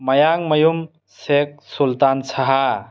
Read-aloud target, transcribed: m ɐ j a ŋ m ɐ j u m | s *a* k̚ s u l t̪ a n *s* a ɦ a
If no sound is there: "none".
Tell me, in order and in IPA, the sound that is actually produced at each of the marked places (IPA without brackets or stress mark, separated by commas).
e, s